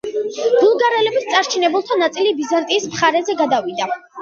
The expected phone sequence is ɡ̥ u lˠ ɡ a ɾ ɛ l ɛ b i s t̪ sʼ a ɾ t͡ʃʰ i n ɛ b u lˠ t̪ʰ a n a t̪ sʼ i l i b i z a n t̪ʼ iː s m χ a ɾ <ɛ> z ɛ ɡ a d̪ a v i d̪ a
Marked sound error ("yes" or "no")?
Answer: no